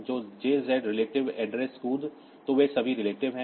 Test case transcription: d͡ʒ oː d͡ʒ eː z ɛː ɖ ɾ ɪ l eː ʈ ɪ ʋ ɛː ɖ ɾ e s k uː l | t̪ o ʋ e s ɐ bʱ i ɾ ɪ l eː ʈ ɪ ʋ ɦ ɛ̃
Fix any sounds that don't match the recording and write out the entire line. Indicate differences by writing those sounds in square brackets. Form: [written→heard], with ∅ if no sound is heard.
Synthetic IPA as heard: d͡ʒ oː d͡ʒ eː z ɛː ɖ ɾ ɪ l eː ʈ ɪ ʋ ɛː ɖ ɾ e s k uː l | t̪ o ʋ e s ɐ bʱ i ɾ ɪ l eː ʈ ɪ ʋ ɦ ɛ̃

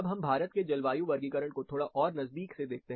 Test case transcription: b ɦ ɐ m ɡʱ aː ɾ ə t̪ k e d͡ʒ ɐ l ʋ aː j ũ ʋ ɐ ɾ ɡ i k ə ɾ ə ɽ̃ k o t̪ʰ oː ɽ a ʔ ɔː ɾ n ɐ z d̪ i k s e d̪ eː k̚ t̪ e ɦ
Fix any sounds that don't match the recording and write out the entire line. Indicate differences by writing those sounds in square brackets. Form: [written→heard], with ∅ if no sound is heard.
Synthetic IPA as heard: b ɦ ɐ m [ɡʱ→bʱ] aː ɾ ə t̪ k e d͡ʒ ɐ l ʋ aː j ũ ʋ ɐ ɾ ɡ i k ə ɾ ə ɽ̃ k o t̪ʰ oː ɽ a ʔ ɔː ɾ n ɐ z d̪ [i→iː] k s e d̪ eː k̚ t̪ e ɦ

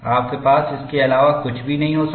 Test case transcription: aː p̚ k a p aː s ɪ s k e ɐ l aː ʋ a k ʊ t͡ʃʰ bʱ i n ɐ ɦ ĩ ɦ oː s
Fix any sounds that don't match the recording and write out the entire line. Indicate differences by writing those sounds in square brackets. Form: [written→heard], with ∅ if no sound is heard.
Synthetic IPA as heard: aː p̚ k [a→e] p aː s ɪ s k e ɐ l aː ʋ a k ʊ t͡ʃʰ bʱ i n ɐ ɦ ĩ ɦ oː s

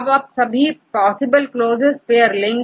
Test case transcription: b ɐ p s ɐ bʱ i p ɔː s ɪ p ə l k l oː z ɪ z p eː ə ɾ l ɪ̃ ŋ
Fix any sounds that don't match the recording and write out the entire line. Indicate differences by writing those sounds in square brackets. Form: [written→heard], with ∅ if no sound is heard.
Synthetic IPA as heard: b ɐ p s ɐ bʱ i p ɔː s ɪ [p→b] ə l k l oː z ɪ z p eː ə ɾ l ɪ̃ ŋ

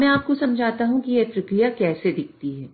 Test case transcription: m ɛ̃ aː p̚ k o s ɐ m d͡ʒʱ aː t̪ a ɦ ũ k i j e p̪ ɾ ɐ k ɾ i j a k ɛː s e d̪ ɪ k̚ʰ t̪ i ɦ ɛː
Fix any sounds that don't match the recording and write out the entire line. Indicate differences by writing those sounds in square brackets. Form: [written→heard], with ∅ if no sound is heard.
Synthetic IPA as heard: m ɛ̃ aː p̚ k o s ɐ m d͡ʒʱ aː t̪ a ɦ ũ k i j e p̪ ɾ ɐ k ɾ i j a k ɛː s e d̪ ɪ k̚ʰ t̪ i ɦ ɛː

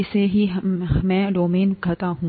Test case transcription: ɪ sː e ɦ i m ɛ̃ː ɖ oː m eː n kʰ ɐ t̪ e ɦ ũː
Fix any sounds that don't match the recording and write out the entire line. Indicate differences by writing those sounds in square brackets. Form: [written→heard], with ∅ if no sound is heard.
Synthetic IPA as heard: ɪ [sː→s] e ɦ i m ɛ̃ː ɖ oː m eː n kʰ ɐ t̪ [e→a] ɦ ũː

